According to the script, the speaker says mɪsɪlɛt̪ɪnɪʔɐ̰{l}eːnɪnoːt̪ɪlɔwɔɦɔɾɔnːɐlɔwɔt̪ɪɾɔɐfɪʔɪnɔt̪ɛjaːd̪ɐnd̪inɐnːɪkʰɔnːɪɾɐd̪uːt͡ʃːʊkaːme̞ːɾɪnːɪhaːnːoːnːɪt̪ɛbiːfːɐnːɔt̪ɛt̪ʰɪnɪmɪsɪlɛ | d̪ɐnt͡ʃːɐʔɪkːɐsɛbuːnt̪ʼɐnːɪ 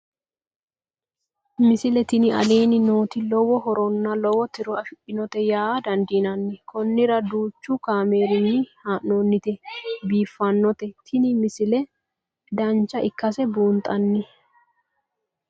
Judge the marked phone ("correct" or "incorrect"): correct